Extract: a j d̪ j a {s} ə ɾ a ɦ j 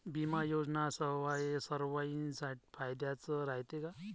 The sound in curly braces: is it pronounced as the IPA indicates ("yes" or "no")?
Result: no